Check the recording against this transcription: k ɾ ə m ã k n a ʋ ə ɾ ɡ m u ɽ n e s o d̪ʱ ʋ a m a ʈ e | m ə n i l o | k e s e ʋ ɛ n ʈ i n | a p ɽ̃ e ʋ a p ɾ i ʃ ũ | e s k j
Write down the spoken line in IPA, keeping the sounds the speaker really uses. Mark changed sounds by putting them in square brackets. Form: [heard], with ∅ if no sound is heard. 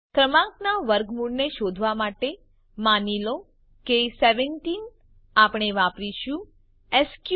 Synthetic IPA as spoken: k ɾ ə m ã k n a ʋ ə ɾ ɡ m u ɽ n e [ʃ] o d̪ʱ ʋ a m a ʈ e | m [a] n i l o | k e s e ʋ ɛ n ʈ i n | a p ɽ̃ e ʋ a p ɾ i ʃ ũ | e s k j